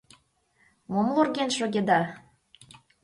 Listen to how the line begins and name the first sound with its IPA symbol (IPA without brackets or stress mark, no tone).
m